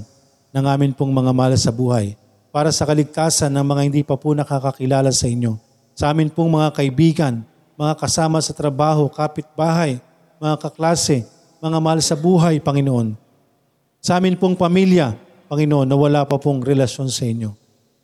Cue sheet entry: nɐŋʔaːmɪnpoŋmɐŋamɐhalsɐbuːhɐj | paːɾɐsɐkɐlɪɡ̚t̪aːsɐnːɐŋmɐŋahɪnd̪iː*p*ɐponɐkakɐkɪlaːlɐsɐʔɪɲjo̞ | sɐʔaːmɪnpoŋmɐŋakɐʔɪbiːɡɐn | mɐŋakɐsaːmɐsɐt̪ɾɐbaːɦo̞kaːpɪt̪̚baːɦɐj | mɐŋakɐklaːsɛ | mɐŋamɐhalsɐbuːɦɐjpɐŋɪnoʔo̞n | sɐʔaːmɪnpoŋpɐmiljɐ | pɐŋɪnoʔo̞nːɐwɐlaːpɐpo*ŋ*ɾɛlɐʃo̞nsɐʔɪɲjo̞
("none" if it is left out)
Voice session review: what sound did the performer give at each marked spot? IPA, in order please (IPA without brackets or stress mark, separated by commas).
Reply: p, ŋ